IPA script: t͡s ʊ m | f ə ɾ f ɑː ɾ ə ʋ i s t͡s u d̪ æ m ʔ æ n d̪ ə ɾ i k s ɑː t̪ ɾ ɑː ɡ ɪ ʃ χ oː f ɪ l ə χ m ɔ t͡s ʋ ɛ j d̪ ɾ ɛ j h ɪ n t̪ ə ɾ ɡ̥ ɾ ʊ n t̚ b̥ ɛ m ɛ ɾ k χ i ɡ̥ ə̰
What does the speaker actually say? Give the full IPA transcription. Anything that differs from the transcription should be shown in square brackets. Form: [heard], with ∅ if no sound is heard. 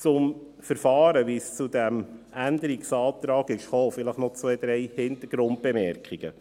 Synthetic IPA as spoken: t͡s ʊ m | f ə ɾ f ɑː ɾ ə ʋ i s t͡s u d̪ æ m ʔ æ n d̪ ə ɾ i k s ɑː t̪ ɾ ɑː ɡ ɪ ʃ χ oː f ɪ l ə χ [n] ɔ t͡s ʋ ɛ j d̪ ɾ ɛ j h ɪ n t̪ ə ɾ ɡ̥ ɾ ʊ n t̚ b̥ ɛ m ɛ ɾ k χ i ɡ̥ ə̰